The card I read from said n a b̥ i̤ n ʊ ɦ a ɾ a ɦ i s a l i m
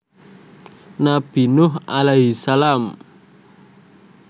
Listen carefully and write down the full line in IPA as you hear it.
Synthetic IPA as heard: n a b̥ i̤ n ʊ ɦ a l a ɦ i s a l a m